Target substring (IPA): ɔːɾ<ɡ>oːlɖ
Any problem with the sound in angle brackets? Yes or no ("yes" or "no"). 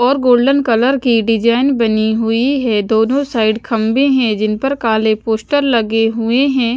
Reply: no